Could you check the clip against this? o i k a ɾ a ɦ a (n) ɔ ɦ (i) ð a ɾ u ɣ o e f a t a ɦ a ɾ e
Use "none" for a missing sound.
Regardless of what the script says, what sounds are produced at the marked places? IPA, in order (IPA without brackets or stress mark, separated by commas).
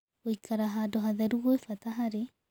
d, a